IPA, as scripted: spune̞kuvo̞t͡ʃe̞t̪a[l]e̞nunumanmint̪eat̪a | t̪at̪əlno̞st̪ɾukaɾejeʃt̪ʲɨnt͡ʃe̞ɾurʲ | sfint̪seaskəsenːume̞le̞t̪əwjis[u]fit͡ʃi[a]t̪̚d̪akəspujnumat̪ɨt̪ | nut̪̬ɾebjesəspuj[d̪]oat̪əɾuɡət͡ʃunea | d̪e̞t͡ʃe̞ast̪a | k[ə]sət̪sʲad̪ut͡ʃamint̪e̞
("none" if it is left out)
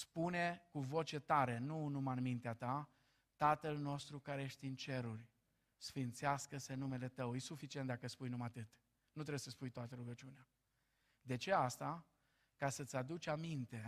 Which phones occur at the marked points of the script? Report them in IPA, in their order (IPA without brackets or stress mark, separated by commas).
ɾ, u, e, t̪, a